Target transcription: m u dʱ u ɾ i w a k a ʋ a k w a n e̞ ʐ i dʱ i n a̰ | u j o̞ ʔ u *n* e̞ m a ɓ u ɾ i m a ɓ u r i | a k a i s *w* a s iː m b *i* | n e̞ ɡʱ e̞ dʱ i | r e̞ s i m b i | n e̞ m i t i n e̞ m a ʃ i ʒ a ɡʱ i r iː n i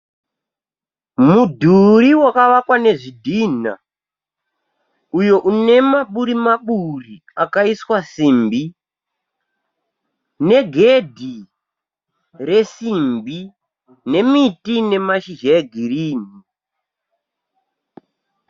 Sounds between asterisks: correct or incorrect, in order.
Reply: correct, correct, correct

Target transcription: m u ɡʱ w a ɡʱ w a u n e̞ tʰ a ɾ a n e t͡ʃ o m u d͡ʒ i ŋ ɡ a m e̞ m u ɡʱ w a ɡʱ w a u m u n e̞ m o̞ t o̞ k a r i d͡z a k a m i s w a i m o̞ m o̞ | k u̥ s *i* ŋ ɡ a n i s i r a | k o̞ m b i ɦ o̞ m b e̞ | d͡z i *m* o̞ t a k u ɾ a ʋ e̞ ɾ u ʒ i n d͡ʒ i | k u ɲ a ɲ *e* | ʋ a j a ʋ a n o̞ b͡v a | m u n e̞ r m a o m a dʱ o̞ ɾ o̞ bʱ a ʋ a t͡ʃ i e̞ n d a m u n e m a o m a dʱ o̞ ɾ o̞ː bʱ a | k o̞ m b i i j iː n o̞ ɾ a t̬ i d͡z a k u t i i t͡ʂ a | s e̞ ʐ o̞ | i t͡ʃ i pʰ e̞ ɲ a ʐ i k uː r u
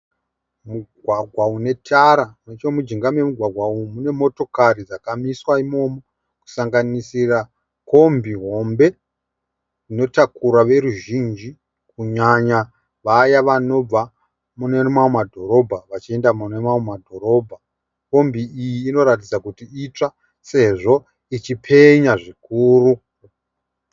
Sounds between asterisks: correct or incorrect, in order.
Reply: incorrect: a, incorrect: n, incorrect: a

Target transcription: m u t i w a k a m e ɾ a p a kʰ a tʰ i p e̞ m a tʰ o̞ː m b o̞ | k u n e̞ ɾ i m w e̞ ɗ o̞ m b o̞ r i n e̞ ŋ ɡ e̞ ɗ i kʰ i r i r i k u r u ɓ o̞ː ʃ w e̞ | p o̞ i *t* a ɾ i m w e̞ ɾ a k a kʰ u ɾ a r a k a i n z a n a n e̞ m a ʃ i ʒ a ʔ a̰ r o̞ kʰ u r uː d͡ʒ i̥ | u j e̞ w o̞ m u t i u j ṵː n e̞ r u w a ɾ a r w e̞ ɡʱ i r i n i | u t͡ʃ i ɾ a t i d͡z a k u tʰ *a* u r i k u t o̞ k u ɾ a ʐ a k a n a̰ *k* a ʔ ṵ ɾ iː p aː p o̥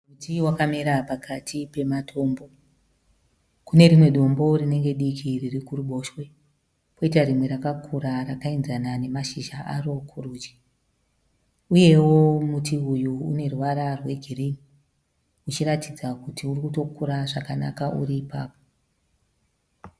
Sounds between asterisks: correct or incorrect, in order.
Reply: correct, incorrect: i, correct

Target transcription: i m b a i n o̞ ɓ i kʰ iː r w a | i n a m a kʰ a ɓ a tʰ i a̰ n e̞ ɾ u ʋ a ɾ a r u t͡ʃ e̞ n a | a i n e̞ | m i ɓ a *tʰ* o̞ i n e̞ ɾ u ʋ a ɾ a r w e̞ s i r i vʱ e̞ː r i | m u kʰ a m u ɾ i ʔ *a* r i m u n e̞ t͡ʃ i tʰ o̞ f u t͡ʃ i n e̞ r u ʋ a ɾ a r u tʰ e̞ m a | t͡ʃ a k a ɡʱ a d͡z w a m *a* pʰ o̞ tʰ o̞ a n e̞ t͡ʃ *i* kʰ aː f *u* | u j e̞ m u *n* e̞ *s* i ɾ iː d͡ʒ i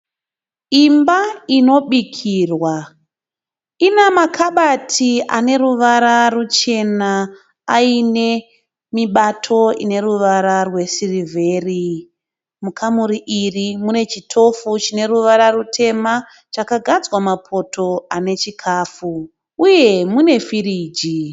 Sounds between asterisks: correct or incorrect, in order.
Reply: correct, incorrect: i, correct, correct, correct, correct, incorrect: f

